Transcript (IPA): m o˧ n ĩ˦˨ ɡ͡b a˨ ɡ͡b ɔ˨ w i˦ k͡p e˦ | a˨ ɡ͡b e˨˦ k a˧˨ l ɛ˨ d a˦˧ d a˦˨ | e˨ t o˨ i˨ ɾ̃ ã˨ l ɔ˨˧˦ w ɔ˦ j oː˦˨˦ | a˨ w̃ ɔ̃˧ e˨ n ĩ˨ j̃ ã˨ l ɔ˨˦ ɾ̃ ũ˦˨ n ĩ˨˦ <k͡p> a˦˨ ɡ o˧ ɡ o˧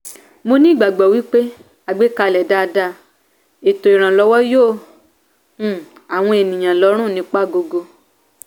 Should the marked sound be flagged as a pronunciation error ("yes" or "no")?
no